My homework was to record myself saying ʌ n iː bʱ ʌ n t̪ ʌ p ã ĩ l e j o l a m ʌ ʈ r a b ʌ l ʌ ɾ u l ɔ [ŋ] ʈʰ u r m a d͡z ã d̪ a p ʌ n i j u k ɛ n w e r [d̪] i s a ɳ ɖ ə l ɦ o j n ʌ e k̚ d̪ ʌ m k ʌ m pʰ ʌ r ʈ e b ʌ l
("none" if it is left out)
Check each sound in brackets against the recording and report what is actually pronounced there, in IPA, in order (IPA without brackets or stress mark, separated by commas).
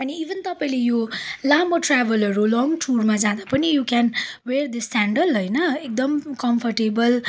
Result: ŋ, d̪